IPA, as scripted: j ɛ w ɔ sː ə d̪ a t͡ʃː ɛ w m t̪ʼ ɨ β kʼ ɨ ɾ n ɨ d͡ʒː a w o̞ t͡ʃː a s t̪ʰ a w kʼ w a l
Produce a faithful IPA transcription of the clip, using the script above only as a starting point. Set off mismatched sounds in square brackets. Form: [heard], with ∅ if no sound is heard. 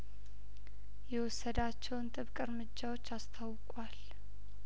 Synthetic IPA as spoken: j ɛ w ɔ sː ə d̪ a t͡ʃː ɛ w [n] t̪ʼ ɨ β kʼ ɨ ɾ [m] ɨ d͡ʒː a w o̞ t͡ʃː a s t̪ʰ a w kʼ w a l

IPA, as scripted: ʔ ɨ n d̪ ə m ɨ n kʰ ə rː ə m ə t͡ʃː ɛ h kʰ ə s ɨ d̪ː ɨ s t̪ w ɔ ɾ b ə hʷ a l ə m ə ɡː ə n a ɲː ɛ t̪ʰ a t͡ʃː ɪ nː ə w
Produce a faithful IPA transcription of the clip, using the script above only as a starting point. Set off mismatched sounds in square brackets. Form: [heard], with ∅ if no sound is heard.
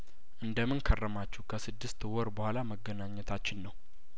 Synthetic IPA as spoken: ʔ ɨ n d̪ ə m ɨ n kʰ ə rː ə m [a] t͡ʃː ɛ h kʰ ə s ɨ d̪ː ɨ s t̪ w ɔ ɾ b ə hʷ a l [a] m ə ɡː ə n a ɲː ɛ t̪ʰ a t͡ʃː ɪ nː ə w

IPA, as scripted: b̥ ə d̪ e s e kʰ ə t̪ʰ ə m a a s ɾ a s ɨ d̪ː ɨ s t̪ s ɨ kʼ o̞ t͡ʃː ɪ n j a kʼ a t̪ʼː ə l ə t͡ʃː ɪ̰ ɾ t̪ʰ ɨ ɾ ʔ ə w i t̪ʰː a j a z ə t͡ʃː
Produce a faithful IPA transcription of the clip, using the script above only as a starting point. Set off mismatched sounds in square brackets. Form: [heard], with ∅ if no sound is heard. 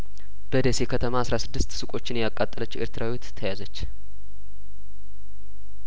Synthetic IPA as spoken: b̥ ə d̪ e s e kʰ ə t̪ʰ ə m a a s ɾ a s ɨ d̪ː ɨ s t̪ s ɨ kʼ o̞ t͡ʃː ɪ n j a kʼ a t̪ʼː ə l ə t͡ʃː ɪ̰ ɾ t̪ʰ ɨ ɾ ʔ [a] w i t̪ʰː [ə] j a z ə t͡ʃː

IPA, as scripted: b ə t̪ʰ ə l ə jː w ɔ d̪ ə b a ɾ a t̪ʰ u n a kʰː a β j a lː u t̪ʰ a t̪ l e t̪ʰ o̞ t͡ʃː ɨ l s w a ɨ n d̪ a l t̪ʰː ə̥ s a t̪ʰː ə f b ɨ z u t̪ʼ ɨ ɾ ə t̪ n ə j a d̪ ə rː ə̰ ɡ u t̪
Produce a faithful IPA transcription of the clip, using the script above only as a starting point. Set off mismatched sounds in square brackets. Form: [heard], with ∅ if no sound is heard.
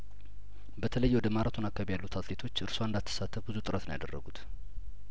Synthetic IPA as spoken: b ə t̪ʰ ə l ə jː w ɔ d̪ ə [m] a ɾ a t̪ʰ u n a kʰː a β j a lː u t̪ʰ a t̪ l e t̪ʰ o̞ t͡ʃː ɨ [ɾ] s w a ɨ n d̪ a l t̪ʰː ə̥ s a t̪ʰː ə f b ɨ z u t̪ʼ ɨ ɾ ə t̪ n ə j a d̪ ə rː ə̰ ɡ u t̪

